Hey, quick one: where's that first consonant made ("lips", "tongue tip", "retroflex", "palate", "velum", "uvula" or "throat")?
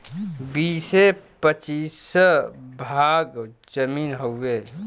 lips